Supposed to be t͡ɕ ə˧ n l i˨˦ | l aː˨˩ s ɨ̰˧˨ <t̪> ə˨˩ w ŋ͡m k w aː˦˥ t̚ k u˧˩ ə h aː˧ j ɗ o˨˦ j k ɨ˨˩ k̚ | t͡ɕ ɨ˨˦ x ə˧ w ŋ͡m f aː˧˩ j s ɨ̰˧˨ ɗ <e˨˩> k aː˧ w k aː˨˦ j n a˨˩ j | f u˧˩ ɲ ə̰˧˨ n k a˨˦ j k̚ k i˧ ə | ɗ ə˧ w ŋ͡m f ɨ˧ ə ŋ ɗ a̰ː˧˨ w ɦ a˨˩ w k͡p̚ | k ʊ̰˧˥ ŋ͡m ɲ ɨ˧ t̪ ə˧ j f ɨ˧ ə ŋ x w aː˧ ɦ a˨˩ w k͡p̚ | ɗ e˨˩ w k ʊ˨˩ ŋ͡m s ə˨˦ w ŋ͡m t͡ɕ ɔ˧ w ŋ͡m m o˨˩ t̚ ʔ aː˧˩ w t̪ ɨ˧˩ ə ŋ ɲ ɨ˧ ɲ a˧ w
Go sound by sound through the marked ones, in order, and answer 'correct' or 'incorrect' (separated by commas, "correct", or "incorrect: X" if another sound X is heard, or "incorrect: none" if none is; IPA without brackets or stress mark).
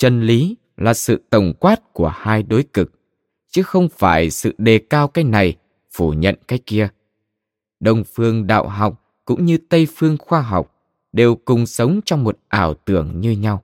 correct, correct